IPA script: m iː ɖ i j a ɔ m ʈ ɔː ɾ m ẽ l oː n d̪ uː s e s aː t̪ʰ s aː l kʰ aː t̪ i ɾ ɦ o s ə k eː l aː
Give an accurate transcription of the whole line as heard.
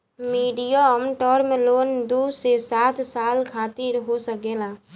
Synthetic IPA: m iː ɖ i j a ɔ m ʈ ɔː ɾ m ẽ l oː n d̪ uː s e s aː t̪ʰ s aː l kʰ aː t̪ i ɾ ɦ o s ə k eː l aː

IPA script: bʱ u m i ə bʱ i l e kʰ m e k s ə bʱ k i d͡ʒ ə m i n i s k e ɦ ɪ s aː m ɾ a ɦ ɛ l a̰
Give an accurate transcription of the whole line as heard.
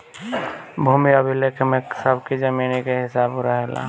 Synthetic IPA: bʱ u m i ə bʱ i l e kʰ m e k s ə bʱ k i d͡ʒ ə m i n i k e ɦ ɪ s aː b ɾ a ɦ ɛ l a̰

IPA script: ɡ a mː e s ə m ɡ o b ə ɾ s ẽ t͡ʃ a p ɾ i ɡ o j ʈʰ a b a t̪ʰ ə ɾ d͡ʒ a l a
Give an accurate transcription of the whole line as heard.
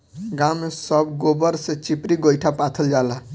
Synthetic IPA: ɡ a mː e s ə b ɡ o b ə ɾ s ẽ t͡ʃ i p ɾ i ɡ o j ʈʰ a p a t̪ʰ ə l d͡ʒ a l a

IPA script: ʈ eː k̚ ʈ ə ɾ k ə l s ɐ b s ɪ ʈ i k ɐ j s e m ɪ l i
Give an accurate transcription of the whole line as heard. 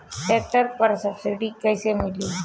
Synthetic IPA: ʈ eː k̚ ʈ ə ɾ p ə ɾ s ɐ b s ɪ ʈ i k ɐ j s e m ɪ l i

